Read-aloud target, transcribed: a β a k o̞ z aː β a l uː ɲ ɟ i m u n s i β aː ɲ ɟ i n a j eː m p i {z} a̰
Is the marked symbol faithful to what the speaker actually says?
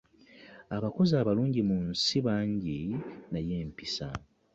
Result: no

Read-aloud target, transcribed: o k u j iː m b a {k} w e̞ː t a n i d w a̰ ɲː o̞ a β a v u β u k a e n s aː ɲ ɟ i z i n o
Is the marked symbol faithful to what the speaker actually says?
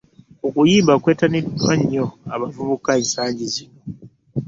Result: yes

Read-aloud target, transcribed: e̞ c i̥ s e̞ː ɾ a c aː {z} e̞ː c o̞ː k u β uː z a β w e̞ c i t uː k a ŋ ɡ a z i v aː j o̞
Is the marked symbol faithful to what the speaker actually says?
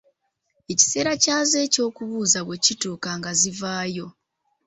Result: yes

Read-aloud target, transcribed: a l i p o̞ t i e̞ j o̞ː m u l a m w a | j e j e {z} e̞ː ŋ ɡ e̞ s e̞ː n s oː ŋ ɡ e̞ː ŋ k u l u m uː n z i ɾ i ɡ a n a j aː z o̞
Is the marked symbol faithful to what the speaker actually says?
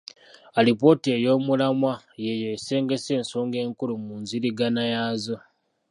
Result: no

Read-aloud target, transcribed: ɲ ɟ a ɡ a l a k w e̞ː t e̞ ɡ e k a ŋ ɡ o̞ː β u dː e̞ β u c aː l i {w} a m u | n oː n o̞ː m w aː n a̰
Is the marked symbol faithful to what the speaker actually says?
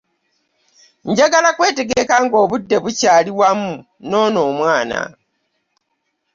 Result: yes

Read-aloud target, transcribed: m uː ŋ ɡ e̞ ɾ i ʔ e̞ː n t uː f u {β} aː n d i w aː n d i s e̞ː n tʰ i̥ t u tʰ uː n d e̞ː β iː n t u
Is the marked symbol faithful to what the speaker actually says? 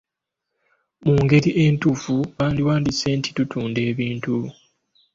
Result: yes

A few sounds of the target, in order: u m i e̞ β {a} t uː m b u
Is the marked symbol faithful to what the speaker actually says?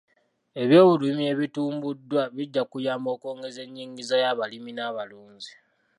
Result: no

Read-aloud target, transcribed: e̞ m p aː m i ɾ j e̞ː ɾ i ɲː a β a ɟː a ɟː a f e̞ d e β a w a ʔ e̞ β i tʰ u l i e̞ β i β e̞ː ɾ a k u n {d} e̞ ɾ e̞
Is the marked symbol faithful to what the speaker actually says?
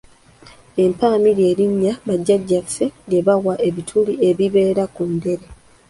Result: yes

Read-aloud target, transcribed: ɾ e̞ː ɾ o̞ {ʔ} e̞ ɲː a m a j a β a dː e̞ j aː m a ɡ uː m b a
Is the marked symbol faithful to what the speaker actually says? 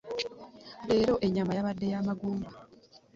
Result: yes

